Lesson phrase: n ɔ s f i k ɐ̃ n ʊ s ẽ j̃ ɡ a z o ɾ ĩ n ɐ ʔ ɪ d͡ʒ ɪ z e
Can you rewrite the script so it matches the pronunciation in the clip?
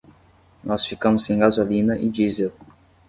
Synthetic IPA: n ɔ s f i k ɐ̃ m ʊ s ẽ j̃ ɡ a z o l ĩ n ɐ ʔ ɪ d͡ʒ i z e